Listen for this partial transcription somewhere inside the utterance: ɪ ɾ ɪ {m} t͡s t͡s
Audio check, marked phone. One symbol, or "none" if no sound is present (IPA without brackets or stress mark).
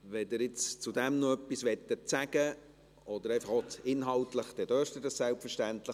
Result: none